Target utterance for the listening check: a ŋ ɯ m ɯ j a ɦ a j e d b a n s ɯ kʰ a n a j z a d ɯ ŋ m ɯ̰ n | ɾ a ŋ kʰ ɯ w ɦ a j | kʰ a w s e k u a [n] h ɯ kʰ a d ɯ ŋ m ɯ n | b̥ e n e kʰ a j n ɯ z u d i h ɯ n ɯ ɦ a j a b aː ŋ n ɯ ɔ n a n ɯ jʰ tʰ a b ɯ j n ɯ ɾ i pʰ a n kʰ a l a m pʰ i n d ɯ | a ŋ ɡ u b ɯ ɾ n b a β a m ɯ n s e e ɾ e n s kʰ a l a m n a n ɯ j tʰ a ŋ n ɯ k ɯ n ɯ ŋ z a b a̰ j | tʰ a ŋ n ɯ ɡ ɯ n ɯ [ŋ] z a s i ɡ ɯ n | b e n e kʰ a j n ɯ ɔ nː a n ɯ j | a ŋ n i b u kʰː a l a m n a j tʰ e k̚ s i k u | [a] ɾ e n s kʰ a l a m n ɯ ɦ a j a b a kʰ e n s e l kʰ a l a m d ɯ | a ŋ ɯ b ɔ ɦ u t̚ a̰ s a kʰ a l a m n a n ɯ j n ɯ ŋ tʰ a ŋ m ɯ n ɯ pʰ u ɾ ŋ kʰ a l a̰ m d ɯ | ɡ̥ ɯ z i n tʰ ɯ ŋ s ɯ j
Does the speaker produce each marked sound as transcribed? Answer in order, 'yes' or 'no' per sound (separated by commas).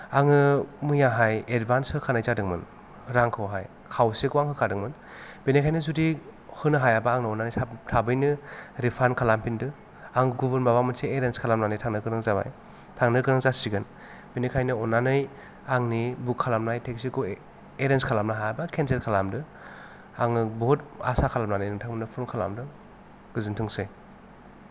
no, yes, no